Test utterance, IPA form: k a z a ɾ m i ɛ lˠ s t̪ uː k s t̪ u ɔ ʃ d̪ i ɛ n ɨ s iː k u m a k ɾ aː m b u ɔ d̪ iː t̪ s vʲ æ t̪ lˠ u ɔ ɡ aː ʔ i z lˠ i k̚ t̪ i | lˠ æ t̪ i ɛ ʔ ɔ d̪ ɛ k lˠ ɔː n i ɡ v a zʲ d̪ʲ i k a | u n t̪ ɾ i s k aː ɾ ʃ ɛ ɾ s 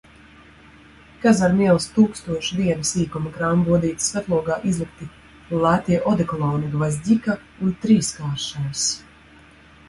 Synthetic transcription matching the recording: k a z a ɾ m i ɛ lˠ s t̪ uː k s t̪ u ɔ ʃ d̪ i ɛ n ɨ s iː k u m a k ɾ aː m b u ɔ d̪ iː t̪ s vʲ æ t̪ lˠ u ɔ ɡ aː ʔ i z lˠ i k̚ t̪ i | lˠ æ t̪ i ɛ ʔ ɔ d̪ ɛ k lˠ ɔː n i ɡ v a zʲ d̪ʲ i k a | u n t̪ ɾ iː s k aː ɾ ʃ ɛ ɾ s